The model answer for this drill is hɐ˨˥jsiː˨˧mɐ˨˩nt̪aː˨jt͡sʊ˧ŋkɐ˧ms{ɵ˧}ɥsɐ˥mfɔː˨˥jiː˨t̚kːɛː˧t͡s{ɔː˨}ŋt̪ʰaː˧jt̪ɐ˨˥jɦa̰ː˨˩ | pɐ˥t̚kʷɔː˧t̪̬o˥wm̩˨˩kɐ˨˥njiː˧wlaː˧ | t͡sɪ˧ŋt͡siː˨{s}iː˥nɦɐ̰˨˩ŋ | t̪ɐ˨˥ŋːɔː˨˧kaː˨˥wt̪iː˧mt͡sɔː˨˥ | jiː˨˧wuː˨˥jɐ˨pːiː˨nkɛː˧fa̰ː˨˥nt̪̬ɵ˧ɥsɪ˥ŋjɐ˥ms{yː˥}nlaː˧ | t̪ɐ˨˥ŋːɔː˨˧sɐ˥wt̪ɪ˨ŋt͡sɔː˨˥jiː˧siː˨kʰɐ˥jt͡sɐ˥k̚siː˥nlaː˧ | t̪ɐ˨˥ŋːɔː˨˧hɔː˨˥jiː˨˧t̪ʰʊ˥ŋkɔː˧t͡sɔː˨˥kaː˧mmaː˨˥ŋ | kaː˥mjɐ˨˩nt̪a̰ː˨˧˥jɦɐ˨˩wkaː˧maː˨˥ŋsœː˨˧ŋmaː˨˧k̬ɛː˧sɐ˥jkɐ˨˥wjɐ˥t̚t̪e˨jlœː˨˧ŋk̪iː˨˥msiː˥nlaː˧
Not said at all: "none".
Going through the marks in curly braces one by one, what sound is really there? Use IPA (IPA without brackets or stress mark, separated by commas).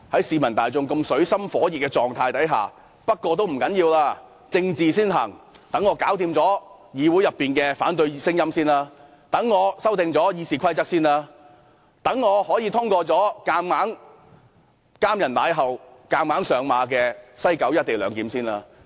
ɵ˨˥, ɔː˨, s, iː˥